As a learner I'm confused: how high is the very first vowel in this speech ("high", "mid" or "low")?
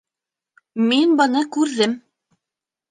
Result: high